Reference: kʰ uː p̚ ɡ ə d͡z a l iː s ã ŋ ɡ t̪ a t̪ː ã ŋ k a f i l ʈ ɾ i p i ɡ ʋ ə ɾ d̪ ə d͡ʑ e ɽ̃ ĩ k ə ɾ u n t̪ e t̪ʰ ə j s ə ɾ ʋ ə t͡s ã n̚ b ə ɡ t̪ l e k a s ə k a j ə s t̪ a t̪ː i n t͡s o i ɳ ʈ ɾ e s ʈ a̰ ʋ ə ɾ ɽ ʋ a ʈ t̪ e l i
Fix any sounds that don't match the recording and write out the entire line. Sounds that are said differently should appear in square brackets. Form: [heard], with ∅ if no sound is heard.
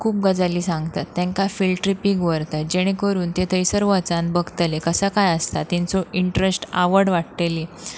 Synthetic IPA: kʰ uː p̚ ɡ ə d͡z a l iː s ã ŋ ɡ t̪ a t̪ː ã ŋ k a f i l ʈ ɾ i p i ɡ ʋ ə ɾ [t̪] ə d͡ʑ e ɽ̃ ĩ k ə ɾ [uː] n t̪ e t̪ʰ ə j s ə ɾ ʋ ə t͡s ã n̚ b ə ɡ t̪ l e k [ə] s ə k a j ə s t̪ a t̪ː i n t͡s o i ɳ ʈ ɾ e s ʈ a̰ ʋ ə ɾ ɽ ʋ a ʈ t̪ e l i